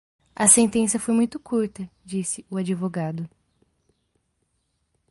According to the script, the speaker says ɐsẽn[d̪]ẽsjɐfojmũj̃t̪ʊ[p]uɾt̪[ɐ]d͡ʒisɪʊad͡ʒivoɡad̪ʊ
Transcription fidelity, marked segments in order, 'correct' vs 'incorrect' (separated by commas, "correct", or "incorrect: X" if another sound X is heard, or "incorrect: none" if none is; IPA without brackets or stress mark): incorrect: t̪, incorrect: k, correct